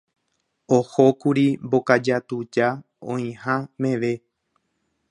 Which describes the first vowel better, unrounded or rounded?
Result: rounded